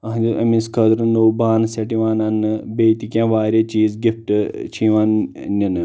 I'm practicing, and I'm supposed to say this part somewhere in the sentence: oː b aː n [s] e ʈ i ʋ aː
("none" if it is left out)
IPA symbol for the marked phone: s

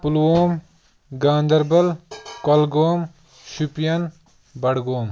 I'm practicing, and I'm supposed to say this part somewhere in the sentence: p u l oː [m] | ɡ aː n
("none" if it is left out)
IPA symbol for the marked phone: m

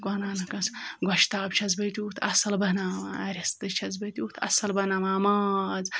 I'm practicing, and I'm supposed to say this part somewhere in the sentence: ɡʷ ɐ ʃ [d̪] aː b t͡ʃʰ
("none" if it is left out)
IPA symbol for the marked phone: t̪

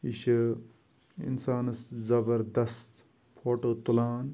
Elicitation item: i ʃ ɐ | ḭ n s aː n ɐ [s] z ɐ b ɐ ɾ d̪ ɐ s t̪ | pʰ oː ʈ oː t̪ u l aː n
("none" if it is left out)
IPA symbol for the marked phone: s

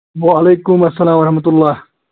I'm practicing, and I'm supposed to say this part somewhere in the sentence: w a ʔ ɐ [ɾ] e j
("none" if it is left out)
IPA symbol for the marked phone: l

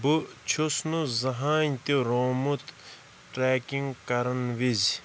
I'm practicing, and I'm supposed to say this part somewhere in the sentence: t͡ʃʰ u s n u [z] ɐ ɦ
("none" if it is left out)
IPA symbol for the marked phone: z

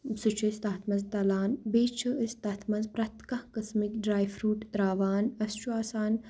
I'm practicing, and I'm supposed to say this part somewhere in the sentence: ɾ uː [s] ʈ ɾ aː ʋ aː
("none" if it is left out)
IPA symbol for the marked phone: none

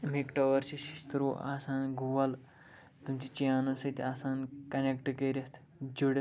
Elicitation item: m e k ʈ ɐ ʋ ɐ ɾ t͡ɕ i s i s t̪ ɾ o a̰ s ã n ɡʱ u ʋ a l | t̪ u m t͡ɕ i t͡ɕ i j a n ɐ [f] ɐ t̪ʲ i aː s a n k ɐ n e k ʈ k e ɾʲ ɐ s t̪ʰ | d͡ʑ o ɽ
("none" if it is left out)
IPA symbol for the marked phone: s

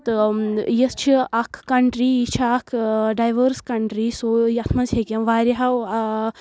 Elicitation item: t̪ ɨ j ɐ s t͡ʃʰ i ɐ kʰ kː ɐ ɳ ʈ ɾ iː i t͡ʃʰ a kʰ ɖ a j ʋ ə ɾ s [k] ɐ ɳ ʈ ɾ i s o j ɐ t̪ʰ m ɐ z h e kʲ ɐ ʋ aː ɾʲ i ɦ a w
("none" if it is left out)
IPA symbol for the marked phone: k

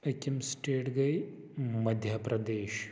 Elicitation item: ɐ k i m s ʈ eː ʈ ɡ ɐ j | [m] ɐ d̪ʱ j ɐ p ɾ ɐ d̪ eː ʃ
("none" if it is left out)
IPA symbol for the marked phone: m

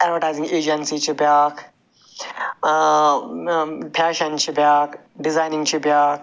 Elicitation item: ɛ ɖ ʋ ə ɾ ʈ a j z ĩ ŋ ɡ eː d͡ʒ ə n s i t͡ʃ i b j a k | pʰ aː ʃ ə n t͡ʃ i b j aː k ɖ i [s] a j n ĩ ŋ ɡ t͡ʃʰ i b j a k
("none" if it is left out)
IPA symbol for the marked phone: z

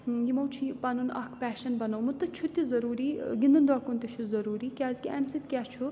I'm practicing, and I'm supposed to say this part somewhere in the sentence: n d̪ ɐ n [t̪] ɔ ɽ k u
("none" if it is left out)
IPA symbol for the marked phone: d̪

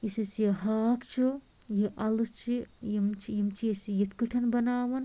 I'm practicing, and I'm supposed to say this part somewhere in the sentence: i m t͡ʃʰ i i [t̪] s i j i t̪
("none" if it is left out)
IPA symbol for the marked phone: none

